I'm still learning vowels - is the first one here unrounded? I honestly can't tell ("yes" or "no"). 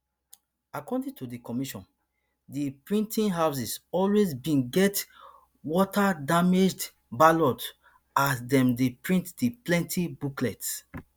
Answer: yes